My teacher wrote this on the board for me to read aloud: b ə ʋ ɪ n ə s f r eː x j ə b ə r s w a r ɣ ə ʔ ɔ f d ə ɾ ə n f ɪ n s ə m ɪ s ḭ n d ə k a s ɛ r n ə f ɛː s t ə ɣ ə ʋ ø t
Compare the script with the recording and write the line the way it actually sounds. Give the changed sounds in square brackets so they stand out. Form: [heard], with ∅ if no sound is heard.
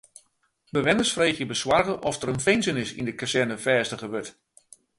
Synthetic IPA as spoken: b ə ʋ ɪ n ə s f r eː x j ə b ə [∅] s w a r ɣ ə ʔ ɔ f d ə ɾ ə n f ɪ n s ə [n] ɪ s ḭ n d ə k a s ɛ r n ə f ɛː s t ə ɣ ə ʋ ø t